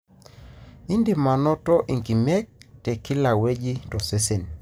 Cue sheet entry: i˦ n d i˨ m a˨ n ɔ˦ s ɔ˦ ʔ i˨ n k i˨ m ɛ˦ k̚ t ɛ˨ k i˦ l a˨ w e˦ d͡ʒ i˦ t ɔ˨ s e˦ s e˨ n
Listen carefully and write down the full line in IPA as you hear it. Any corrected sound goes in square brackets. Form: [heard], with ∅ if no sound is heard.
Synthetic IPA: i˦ n d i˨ m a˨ n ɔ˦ [t] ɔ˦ ʔ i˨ [ŋ] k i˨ m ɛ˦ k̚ t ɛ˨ k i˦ l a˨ w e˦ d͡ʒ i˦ t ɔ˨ s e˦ s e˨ n